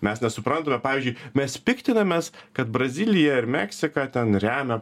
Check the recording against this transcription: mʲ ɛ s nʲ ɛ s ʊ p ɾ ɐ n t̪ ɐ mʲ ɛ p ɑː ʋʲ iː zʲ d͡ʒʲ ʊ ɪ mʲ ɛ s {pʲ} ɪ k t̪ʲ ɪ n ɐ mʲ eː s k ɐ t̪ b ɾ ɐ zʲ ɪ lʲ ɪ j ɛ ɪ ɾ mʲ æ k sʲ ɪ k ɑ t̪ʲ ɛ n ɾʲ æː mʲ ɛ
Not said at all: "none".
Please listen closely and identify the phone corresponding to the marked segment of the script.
pʲ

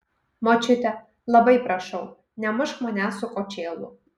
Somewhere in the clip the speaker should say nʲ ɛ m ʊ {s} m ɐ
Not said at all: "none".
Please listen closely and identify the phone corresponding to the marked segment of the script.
ʃ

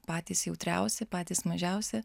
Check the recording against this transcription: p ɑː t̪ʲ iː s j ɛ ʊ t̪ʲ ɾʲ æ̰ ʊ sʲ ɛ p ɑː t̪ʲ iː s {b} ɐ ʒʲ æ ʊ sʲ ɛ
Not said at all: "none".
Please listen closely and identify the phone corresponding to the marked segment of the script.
m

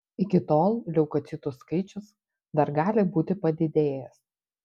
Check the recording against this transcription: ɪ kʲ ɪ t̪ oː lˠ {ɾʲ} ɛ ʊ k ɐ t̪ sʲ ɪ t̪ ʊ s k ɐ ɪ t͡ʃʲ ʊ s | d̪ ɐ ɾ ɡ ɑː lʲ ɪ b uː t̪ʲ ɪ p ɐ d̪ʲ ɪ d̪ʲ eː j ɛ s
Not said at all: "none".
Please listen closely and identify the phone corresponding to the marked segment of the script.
lʲ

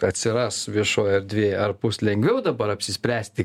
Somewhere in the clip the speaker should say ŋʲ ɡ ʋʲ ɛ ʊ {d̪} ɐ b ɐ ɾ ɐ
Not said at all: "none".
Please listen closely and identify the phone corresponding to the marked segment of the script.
d̪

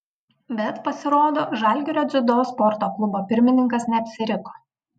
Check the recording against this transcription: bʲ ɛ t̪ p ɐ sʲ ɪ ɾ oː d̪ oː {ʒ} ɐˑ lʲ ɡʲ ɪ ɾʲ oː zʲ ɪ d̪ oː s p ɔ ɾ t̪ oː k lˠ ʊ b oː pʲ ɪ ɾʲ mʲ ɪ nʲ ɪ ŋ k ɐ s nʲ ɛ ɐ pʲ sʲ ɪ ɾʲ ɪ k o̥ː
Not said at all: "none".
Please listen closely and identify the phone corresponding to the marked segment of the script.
ʒ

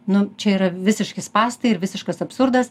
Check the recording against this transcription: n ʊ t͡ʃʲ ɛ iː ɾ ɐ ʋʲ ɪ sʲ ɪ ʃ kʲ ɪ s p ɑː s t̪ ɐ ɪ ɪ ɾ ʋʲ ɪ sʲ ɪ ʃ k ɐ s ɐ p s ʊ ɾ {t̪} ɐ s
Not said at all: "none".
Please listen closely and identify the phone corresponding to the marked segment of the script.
d̪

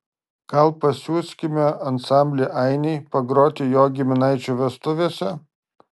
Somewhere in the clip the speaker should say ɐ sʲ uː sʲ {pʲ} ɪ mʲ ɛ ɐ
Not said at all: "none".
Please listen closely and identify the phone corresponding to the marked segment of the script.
kʲ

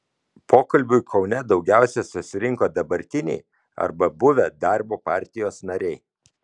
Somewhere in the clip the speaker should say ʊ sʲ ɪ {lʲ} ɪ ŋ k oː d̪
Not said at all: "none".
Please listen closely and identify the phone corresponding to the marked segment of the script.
ɾʲ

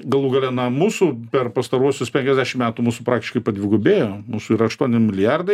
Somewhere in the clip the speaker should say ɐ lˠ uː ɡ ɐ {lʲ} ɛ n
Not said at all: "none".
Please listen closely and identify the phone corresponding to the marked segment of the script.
lʲ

